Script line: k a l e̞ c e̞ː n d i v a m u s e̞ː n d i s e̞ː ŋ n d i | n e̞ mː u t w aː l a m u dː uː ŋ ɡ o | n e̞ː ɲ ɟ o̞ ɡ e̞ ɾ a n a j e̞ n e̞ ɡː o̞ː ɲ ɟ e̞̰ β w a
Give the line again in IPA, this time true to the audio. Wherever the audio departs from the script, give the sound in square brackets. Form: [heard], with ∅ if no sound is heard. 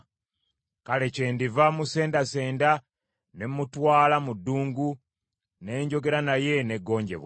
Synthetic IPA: k a l e̞ c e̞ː n d i v a m u s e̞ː n d [a] s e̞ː [∅] n d [a] | n e̞ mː u t w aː l a m u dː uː ŋ ɡ [u] | n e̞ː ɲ ɟ o̞ ɡ e̞ ɾ a n a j e̞ n e̞ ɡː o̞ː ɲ ɟ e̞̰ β w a